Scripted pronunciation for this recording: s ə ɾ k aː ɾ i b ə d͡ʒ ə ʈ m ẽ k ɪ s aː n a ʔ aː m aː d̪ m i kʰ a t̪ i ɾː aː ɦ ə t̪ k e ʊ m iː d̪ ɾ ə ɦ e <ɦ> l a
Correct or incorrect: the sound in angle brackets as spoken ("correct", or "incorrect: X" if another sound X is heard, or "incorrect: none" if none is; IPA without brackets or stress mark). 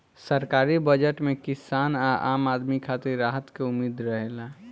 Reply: incorrect: none